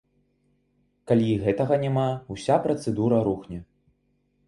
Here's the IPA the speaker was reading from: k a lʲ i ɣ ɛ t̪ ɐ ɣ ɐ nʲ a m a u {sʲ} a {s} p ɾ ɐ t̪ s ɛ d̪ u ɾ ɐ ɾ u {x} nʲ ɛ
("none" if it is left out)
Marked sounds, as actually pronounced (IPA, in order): sʲ, none, x

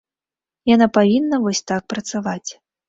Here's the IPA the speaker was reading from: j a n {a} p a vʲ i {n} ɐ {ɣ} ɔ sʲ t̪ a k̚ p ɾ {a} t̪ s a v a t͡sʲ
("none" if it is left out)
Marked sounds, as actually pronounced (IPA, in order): a, nː, v, ɐ

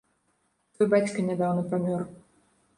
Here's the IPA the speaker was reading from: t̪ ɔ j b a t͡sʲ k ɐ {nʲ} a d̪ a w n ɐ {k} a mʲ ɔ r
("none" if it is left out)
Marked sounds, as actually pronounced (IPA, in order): nʲ, p

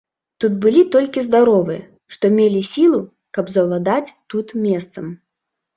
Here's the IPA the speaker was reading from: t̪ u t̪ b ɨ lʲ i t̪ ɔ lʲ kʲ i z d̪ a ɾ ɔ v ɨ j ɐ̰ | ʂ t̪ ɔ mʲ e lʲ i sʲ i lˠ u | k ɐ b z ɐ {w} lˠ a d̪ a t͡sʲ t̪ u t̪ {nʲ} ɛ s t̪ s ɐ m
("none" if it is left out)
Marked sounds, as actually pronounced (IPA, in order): w, mʲ

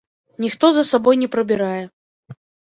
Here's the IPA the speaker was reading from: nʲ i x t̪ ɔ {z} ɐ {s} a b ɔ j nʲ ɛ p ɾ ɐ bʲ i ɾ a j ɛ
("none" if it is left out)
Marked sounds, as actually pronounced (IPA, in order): z, s

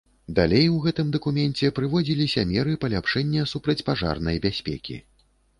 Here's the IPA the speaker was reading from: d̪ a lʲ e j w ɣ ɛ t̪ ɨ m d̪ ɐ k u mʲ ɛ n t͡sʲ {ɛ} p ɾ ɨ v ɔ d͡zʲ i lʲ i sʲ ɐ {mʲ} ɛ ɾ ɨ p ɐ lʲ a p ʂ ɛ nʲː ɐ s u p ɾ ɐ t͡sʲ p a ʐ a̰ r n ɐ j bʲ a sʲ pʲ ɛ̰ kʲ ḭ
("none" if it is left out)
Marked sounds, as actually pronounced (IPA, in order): ɛ, mʲ

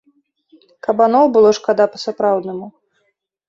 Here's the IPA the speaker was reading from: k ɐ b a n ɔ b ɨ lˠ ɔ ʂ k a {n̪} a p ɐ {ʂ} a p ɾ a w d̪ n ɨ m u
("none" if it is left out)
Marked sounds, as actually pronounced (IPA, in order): d̪, s

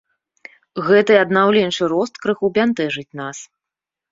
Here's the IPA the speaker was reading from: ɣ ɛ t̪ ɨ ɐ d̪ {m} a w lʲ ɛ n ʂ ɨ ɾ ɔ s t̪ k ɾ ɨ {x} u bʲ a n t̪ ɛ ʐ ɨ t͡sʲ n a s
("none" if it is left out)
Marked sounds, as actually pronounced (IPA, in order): n, x

